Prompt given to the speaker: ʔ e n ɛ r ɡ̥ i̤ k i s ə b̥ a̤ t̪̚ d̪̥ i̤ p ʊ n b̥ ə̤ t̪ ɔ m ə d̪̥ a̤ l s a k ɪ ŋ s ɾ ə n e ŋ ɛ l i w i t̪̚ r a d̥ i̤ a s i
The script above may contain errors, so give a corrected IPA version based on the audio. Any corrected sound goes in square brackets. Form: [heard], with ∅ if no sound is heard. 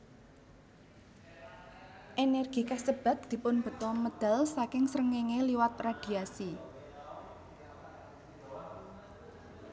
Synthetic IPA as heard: ʔ e n ɛ r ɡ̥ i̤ k [a] s ə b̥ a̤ t̪̚ d̪̥ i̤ p ʊ n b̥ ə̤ t̪ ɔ m ə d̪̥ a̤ l s a k ɪ ŋ s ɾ ə [ŋ] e ŋ [e] l i w [a] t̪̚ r a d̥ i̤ a s i